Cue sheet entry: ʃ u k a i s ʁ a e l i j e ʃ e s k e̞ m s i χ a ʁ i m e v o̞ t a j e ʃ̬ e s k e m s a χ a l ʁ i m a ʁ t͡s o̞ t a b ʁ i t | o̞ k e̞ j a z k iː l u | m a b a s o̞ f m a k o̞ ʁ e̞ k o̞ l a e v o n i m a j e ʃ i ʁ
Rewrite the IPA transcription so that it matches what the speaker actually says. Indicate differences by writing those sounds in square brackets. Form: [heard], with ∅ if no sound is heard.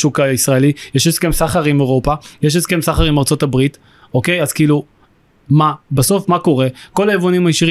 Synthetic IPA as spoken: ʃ u k a i s ʁ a e l i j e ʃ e s k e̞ m s [a] χ a ʁ i m e [ʁ] o̞ [p] a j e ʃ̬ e s k e m s a χ a [∅] ʁ i m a ʁ t͡s o̞ t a b ʁ i t | o̞ k e̞ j a z k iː l u | m a b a s o̞ f m a k o̞ ʁ e̞ k o̞ l a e v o n i m a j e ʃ i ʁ